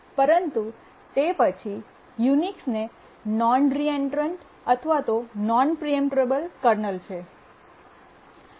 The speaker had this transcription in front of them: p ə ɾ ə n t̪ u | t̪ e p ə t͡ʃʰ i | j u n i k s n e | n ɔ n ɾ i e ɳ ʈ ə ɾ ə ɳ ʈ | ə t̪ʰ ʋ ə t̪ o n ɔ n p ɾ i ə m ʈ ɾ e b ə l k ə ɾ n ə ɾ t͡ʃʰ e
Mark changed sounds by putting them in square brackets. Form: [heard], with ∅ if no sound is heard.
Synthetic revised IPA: p ə ɾ ə n t̪ u | t̪ e p ə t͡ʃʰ i | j u n i k s n e | n ɔ n ɾ i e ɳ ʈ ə ɾ ə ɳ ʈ | ə t̪ʰ ʋ [a] t̪ o n ɔ n p ɾ i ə m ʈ ɾ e b ə l k ə ɾ n ə [l] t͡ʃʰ e

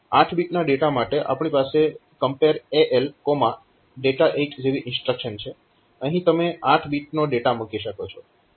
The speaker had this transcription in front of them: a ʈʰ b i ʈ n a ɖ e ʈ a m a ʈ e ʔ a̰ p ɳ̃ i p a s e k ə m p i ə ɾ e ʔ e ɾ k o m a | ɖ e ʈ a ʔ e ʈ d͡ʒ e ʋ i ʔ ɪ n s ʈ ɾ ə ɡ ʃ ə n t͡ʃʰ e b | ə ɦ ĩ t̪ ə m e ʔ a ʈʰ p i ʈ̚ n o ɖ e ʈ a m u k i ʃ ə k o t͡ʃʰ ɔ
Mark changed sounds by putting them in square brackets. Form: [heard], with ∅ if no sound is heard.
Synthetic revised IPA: a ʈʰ b i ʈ n a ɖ e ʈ a m a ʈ e ʔ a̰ p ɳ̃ i p a s e k ə m p [e] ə ɾ e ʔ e [l] k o m a | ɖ e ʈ a ʔ e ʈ d͡ʒ e ʋ i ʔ ɪ n s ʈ ɾ ə [k] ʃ ə n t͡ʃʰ e [∅] | ə ɦ ĩ t̪ ə m e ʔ a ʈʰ [b] i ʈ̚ n o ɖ e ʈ a m u k i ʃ ə k o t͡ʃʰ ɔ

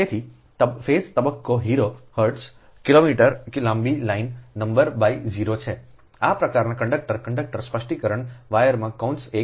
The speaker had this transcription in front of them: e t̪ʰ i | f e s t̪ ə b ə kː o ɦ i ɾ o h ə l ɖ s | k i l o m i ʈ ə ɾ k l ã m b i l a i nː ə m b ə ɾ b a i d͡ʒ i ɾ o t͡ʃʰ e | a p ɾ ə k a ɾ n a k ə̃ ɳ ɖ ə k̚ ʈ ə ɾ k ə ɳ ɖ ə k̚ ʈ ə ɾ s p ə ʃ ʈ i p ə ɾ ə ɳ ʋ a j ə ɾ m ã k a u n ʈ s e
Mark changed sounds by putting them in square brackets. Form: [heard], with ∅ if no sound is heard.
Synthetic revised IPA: e t̪ʰ i | f e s t̪ ə b ə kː o ɦ i ɾ o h ə [ɾ] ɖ s | k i l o m i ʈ ə ɾ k l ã m b i l a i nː ə m b ə ɾ b a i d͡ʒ i ɾ o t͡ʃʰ e | a p ɾ ə k a ɾ n a k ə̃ ɳ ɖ ə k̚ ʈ ə ɾ k ə ɳ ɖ ə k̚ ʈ ə ɾ s p ə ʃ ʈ i [k] ə ɾ ə ɳ ʋ a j ə ɾ m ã k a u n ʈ s e

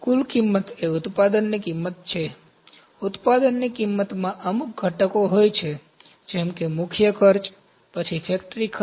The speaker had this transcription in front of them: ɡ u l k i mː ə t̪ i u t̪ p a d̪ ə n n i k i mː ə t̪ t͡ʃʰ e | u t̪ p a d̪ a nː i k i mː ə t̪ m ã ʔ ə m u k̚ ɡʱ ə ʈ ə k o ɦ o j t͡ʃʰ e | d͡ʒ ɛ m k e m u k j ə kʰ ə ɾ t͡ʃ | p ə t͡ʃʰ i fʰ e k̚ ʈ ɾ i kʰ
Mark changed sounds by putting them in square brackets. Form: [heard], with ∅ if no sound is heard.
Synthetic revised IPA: [k] u l k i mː ə t̪ [e] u t̪ p a d̪ ə n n i k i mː ə t̪ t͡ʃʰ e | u t̪ p a d̪ [ə] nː i k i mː ə t̪ m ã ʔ ə m u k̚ ɡʱ ə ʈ ə k o ɦ o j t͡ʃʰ e | d͡ʒ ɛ m k e m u [kʰ] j ə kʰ ə ɾ t͡ʃ | p ə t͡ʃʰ i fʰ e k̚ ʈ ɾ i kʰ

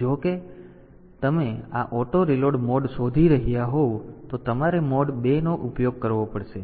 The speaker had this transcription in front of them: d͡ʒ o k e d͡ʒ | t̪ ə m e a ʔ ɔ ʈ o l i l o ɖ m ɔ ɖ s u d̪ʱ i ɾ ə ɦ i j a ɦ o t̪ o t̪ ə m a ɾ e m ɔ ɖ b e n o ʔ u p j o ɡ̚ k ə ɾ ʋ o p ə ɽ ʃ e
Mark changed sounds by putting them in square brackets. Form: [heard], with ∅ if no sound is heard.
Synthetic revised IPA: d͡ʒ o k e [∅] | t̪ ə m e a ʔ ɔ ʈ o [ɾ] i l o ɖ m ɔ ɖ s [o] d̪ʱ i ɾ ə ɦ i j a ɦ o t̪ o t̪ ə m a ɾ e m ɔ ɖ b e n o ʔ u p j o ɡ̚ k ə ɾ ʋ o p ə ɽ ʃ e

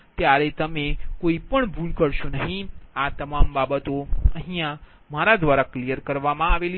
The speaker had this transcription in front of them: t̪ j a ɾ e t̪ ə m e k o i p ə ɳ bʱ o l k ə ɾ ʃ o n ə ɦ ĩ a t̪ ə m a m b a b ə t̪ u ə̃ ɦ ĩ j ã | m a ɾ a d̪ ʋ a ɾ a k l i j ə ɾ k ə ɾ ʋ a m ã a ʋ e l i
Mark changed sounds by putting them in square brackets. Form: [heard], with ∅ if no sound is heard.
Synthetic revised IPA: t̪ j a ɾ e t̪ ə m e k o i p ə ɳ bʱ [u] l k ə ɾ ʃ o n ə ɦ ĩ a t̪ ə m a m b a b ə t̪ [o] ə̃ ɦ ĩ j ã | m a ɾ a d̪ ʋ a ɾ a k l i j ə ɾ k ə ɾ ʋ a m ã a ʋ e l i

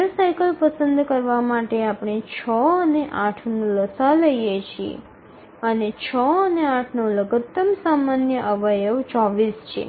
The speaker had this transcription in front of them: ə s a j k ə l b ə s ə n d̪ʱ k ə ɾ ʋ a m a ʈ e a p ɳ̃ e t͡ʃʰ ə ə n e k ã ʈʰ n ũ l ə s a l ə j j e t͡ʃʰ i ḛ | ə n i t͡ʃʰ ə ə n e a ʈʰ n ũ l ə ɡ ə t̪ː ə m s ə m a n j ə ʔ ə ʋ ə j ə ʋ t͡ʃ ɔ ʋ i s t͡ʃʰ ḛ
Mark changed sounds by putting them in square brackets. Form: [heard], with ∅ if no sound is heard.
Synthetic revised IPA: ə s a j k ə l [p] ə s ə n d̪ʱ k ə ɾ ʋ a m a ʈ e a p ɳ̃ e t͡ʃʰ ə ə n e [ʔ] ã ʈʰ n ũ l ə s a l ə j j e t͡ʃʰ i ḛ | ə n [e] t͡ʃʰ ə ə n e a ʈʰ n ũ l ə ɡ ə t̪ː ə m s [a] m a n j ə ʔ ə ʋ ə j ə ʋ t͡ʃ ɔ ʋ i s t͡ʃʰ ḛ

